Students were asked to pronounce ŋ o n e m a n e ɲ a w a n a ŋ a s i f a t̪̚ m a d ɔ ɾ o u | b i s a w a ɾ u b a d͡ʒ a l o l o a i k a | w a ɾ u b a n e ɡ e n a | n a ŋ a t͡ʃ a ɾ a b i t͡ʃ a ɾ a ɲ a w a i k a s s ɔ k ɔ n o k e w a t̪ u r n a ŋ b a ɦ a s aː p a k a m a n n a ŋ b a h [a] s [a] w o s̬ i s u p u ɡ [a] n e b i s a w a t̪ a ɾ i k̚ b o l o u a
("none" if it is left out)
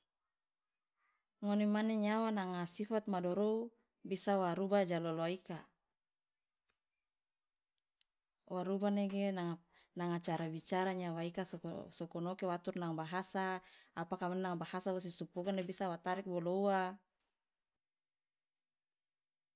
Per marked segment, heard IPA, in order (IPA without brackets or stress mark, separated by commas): a, a, a